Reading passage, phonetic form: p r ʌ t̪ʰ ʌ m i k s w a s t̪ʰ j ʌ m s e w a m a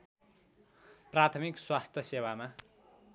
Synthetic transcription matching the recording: p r a t̪ʰ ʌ m i k s w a s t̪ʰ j ʌ s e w a m a